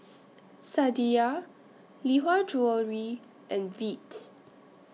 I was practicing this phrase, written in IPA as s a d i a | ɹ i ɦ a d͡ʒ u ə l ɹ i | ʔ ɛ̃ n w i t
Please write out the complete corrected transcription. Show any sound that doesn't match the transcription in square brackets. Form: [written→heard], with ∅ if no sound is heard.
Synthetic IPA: s a d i a | [ɹ→l] i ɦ a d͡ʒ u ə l ɹ i | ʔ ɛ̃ n [w→v] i t